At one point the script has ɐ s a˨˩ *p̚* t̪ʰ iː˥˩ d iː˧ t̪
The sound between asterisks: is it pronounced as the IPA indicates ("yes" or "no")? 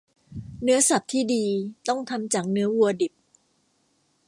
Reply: yes